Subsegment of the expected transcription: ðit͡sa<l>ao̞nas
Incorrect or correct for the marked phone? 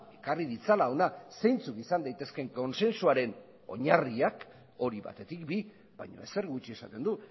correct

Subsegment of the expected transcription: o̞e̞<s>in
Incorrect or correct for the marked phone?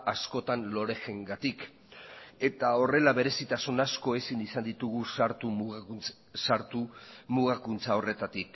correct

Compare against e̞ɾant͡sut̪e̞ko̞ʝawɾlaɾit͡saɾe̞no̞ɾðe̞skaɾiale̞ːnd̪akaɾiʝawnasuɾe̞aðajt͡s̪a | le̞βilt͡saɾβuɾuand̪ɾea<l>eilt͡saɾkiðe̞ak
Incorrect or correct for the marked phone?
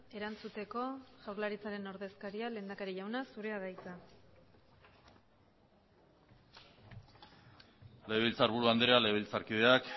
correct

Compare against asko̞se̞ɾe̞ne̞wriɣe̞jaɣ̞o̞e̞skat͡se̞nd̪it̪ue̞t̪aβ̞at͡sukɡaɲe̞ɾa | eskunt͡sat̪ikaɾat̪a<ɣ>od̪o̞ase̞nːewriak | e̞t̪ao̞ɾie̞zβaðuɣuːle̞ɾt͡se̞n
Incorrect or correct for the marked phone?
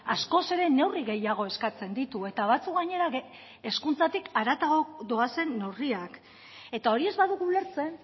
correct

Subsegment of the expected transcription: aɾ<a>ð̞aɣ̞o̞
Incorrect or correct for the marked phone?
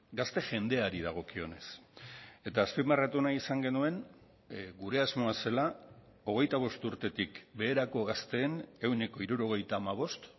incorrect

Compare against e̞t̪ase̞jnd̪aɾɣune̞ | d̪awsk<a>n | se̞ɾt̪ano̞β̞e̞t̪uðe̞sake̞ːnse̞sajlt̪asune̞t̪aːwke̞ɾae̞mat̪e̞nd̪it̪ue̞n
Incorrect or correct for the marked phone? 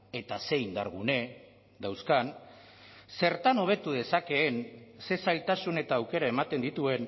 correct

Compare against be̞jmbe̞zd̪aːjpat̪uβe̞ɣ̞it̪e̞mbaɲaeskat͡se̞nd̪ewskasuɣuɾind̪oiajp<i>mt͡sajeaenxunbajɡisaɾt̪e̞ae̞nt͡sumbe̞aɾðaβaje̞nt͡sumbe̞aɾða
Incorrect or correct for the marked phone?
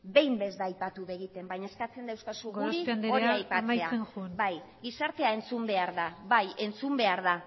incorrect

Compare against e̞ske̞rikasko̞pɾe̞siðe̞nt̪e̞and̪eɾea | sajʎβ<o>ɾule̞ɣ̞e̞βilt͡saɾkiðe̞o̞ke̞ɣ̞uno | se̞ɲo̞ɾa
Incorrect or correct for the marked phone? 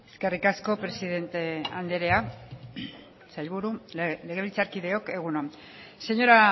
incorrect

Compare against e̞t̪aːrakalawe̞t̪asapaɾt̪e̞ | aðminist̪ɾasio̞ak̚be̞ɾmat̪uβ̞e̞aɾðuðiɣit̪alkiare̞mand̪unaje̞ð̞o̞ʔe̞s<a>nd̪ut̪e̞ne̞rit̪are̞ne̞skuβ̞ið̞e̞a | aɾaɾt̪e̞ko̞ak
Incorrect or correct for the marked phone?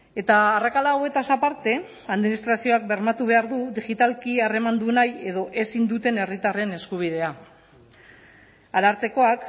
incorrect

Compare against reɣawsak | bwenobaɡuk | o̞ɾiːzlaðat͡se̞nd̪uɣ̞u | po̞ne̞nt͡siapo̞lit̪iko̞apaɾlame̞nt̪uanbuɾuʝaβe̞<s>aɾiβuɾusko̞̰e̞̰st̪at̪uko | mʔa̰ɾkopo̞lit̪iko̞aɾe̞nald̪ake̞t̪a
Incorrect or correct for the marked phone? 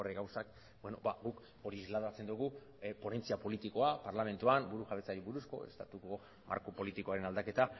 incorrect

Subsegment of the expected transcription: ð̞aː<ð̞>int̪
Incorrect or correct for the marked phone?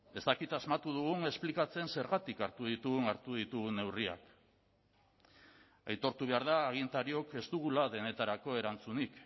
incorrect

